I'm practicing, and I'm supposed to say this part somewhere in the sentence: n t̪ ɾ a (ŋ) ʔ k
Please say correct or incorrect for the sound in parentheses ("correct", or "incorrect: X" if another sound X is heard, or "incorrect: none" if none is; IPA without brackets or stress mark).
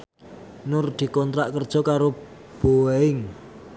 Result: incorrect: none